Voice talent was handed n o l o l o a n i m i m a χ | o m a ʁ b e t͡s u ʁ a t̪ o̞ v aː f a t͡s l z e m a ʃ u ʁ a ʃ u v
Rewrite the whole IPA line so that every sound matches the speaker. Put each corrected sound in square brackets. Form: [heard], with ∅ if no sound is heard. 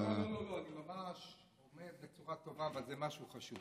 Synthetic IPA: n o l o l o a n i m [a] m a [ʃ] | o m [e] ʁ b e t͡s u ʁ a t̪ o̞ v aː [v] a [∅] l z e m a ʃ u [χ] a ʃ u v